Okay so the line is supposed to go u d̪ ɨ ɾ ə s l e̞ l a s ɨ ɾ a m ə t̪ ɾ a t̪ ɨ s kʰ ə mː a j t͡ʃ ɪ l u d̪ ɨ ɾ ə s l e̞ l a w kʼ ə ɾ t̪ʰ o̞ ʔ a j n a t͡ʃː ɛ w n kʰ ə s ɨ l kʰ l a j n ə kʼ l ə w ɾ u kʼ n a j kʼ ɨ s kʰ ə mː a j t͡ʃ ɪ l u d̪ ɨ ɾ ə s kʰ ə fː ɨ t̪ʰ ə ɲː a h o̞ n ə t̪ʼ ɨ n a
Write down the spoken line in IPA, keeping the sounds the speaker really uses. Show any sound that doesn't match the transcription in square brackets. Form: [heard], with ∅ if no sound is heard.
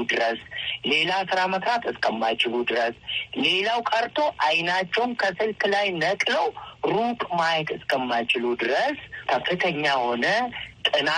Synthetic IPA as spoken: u d̪ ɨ ɾ ə s l e̞ l a s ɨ ɾ a m ə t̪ ɾ a t̪ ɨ s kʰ ə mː a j t͡ʃ ɪ l u d̪ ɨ ɾ ə s l e̞ l a w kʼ ə ɾ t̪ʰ o̞ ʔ a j n a t͡ʃː ɛ w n kʰ ə s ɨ l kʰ l a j n ə kʼ l ə w ɾ u kʼ [m] a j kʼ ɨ s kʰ ə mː a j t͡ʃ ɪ l u d̪ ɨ ɾ ə s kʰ ə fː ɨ t̪ʰ ə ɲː a h o̞ n ə t̪ʼ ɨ n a